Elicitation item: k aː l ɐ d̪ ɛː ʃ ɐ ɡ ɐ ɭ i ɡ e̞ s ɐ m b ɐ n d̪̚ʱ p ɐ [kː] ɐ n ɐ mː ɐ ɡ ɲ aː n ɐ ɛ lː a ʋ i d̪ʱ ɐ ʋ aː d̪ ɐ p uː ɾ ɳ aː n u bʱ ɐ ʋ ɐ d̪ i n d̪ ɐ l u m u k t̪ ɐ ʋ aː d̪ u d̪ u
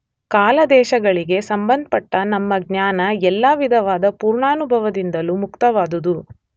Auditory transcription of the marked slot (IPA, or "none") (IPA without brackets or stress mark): ʈː